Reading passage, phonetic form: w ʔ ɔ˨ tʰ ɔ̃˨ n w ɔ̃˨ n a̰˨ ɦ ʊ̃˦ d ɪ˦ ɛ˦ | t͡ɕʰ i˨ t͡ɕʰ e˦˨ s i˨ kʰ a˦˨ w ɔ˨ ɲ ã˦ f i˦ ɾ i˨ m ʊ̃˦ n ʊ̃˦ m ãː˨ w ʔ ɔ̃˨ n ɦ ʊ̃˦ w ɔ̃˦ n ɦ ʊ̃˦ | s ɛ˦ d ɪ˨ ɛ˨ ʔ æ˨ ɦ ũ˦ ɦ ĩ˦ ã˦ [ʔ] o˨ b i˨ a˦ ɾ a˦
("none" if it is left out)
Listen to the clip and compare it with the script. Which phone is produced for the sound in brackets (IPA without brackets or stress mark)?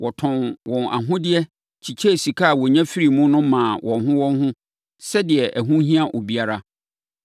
ʔ